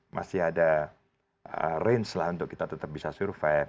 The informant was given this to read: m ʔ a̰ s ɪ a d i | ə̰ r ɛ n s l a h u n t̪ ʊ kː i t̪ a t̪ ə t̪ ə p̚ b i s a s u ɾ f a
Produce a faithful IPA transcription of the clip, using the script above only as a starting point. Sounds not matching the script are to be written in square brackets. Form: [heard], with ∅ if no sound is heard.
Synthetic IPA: m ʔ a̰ s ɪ a d [a] | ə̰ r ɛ n s l a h u n t̪ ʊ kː i t̪ a t̪ ə t̪ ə p̚ b i s a s u ɾ f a